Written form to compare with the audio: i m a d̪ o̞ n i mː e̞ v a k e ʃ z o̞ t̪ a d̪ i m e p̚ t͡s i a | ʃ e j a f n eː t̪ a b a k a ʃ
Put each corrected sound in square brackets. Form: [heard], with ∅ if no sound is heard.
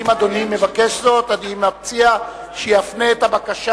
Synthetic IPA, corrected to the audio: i m a d̪ o̞ n i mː e̞ v a k e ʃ z o̞ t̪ a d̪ i m [a] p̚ t͡s i a | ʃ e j a f n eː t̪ a b a k a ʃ